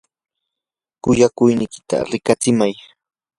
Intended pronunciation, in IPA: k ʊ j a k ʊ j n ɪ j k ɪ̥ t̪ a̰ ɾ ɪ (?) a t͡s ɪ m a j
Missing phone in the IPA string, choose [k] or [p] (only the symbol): k